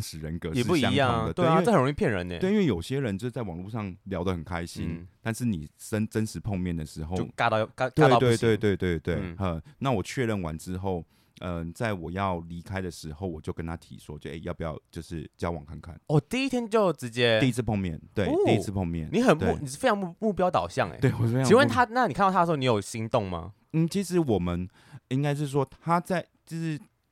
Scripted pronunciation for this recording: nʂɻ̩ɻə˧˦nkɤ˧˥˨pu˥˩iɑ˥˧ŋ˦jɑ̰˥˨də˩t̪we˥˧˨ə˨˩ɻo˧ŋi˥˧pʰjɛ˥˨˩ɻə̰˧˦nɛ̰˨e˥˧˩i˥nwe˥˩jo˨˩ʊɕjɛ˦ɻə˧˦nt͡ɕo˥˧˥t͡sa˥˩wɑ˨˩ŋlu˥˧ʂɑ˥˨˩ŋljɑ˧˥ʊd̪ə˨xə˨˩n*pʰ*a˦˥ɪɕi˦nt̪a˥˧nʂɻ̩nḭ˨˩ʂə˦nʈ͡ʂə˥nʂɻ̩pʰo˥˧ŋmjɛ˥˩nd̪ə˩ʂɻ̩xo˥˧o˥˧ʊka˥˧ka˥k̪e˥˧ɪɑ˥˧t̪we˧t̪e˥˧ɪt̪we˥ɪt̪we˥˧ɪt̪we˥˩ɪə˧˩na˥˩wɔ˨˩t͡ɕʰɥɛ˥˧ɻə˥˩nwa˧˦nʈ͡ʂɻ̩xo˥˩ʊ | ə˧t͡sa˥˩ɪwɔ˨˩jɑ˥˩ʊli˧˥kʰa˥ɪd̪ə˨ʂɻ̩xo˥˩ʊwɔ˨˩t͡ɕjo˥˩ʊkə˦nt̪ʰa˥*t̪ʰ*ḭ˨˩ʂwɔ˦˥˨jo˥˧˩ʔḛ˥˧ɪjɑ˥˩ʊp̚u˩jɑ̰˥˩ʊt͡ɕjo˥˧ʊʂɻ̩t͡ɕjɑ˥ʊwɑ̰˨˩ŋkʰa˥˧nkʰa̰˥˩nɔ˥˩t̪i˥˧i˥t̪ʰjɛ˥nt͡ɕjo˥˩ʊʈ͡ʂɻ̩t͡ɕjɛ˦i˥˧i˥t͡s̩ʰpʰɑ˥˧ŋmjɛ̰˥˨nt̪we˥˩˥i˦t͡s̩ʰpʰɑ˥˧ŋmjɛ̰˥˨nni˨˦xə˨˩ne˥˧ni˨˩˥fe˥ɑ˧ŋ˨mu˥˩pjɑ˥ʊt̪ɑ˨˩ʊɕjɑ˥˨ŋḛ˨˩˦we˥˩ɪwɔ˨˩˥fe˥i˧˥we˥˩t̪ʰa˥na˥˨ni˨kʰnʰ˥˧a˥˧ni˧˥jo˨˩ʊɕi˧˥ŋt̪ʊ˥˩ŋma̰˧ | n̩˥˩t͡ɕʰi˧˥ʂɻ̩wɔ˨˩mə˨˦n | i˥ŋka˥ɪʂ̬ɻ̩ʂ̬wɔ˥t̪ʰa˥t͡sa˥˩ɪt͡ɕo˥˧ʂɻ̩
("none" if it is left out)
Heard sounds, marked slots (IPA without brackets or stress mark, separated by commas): kʰ, t̪ʰ